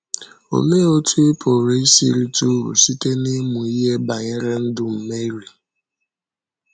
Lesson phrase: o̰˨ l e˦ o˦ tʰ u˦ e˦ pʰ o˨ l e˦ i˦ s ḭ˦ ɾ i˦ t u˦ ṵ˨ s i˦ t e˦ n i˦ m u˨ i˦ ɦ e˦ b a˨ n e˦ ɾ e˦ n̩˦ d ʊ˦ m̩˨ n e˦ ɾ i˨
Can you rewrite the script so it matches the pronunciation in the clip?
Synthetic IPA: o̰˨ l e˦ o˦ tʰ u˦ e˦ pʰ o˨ ɾ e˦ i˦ s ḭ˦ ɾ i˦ t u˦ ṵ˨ s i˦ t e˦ n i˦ m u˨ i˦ ɦ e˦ b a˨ ɲ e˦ ɾ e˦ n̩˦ d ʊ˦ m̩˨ m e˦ ɾ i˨